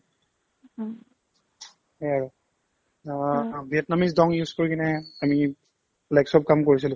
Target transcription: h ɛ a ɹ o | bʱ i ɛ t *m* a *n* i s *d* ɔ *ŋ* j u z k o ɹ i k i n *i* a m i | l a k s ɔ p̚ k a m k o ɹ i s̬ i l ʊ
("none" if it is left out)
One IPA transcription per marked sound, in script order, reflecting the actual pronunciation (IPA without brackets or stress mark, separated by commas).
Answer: n, m, d, ŋ, ɛ